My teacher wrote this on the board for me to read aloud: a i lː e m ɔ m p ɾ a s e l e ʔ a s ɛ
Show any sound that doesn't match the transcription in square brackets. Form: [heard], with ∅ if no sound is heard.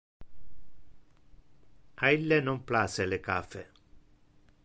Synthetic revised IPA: a i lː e [n] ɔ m p [l] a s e l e [k] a [f] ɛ